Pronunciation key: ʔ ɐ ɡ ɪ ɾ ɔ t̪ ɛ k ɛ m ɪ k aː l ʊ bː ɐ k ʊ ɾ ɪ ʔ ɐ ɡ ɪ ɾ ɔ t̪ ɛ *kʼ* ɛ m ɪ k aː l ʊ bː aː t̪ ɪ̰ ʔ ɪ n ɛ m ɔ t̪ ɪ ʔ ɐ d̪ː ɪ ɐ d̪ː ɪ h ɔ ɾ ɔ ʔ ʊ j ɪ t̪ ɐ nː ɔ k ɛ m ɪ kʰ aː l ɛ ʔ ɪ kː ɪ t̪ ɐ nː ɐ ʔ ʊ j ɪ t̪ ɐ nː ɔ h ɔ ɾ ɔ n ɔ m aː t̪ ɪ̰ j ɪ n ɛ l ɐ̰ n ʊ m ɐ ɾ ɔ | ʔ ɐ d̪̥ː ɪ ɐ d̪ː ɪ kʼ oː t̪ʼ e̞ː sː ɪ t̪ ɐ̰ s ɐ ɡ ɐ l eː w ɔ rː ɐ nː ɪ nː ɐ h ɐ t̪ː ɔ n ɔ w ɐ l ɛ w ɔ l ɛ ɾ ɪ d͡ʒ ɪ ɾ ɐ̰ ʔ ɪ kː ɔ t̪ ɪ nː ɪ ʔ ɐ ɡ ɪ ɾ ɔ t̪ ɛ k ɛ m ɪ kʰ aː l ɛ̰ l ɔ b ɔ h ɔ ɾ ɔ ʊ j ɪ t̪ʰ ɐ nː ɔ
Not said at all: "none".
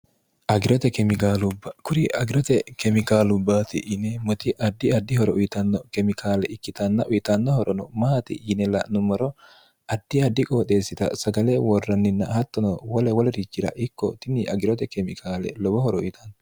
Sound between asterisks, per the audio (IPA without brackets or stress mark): k